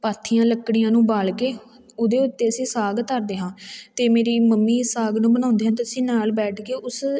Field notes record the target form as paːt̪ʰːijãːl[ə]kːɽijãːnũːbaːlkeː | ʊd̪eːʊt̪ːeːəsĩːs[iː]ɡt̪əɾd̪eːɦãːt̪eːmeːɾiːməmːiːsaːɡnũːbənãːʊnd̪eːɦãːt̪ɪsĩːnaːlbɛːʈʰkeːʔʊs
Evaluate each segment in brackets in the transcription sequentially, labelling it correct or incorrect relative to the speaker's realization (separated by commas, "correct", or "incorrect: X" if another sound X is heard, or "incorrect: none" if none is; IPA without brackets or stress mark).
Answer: correct, incorrect: aː